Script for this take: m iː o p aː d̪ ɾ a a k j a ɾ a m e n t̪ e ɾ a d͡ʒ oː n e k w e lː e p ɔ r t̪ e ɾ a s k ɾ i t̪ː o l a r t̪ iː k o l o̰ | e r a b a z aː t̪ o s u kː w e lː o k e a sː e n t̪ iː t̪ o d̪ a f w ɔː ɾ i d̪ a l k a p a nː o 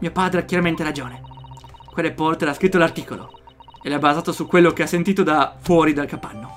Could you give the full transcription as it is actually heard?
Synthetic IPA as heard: m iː o p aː d̪ ɾ e a k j a ɾ a m e n t̪ e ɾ a d͡ʒ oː n e k w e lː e p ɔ r t̪ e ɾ a s k ɾ i t̪ː o l a r t̪ iː k o l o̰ | e l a b a z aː t̪ o s u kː w e lː o k e a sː e n t̪ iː t̪ o d̪ a f w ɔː ɾ i d̪ a l k a p a nː o